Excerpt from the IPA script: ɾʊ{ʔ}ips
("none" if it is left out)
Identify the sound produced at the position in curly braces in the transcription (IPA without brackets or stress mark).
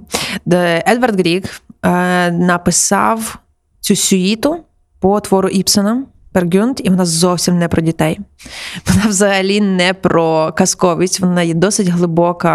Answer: ʔ